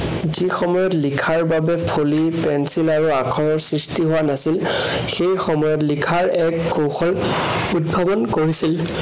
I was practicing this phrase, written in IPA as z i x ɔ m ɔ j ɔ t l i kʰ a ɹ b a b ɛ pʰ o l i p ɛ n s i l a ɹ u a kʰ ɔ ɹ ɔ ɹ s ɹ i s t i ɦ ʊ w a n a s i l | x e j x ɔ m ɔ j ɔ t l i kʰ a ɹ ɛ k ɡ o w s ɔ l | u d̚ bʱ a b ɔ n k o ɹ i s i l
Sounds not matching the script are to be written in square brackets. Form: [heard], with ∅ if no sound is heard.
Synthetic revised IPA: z i x ɔ m ɔ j ɔ t l i kʰ a ɹ b a b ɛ pʰ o l i p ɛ n s i l a ɹ u a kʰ ɔ ɹ ɔ ɹ s ɹ i s t i ɦ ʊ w a n a s i l | x e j x ɔ m ɔ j ɔ t l i kʰ a ɹ ɛ k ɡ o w [x] ɔ l | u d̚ bʱ a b ɔ n k o ɹ i s i l